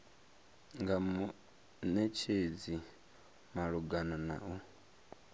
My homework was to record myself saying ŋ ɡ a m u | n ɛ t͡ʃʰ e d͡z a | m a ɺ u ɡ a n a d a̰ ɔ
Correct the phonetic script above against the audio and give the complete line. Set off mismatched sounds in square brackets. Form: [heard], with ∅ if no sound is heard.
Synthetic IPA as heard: ŋ ɡ a m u | n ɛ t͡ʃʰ e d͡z [i] | m a ɺ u ɡ a n a [n] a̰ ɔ